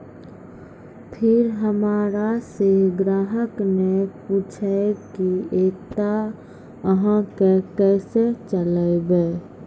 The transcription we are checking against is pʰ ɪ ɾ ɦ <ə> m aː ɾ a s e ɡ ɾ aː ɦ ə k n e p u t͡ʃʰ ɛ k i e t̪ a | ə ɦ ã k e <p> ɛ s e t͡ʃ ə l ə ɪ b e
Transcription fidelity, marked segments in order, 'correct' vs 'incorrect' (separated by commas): correct, incorrect